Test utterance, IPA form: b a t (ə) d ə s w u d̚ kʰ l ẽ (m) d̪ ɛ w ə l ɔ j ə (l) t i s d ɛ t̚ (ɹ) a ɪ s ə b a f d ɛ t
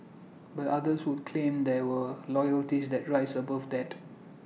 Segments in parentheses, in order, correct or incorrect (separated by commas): incorrect, correct, correct, correct